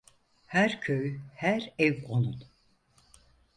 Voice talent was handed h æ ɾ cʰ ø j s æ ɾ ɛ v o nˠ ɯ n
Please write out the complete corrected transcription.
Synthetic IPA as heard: h æ ɾ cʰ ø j h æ ɾ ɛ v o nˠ u n